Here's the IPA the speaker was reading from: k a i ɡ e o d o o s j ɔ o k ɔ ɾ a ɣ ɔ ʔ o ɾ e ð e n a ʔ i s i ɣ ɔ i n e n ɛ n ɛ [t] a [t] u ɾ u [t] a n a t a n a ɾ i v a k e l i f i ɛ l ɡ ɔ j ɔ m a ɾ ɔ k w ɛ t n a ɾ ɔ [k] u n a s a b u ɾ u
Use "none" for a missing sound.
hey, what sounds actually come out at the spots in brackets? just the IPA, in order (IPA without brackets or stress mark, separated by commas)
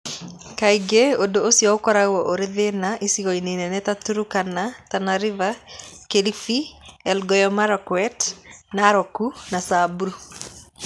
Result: t, t, k, k